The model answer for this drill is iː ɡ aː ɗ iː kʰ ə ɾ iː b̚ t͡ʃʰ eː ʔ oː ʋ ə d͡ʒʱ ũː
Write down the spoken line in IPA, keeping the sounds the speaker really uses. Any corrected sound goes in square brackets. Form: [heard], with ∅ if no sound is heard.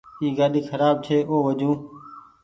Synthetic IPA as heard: iː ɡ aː ɗ iː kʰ ə ɾ [aː] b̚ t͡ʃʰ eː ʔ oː ʋ ə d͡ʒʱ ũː